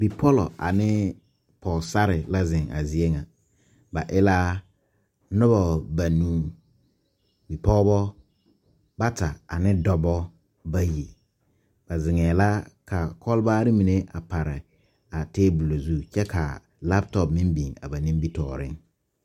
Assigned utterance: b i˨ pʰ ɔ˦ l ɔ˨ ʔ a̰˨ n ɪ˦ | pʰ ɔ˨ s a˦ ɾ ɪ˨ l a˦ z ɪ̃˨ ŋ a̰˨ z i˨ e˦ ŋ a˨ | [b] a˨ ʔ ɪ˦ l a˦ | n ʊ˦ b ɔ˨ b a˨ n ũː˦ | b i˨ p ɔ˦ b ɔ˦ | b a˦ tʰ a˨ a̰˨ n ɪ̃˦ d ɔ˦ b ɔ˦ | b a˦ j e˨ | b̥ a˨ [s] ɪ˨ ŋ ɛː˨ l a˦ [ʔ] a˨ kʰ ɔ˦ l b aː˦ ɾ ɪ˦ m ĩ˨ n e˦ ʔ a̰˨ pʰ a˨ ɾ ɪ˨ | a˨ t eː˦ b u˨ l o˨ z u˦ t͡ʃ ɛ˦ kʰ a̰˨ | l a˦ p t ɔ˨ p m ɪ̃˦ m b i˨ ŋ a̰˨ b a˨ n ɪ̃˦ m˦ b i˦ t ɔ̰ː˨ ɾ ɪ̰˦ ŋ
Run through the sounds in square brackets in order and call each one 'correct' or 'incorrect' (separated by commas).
correct, incorrect, incorrect